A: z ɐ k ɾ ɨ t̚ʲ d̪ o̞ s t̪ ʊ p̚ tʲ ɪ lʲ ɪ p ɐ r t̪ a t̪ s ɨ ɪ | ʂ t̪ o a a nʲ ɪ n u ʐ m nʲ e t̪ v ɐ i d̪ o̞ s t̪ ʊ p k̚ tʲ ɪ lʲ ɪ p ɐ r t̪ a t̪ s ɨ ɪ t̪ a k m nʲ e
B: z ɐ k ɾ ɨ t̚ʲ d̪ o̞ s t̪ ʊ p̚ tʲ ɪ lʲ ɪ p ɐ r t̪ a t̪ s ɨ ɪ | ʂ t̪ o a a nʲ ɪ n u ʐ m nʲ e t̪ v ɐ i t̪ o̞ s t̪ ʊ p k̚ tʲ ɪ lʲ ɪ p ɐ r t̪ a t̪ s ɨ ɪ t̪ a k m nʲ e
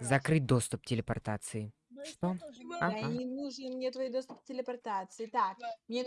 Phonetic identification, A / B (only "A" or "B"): A